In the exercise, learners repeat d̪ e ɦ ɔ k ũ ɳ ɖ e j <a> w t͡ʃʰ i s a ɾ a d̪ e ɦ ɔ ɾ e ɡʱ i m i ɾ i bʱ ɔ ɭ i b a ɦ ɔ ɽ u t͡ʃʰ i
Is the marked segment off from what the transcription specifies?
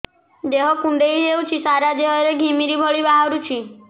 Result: yes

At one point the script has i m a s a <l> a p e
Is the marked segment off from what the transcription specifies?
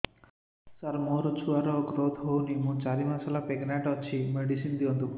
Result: no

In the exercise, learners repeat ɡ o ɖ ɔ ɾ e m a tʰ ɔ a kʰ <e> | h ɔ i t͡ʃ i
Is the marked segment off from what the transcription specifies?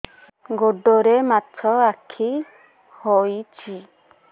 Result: yes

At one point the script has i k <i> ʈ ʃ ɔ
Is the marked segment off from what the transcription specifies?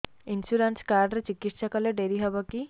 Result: no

